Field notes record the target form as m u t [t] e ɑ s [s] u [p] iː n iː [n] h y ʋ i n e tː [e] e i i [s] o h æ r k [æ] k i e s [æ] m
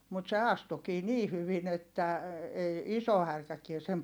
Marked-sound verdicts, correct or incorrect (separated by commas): incorrect, incorrect, incorrect, incorrect, incorrect, correct, correct, incorrect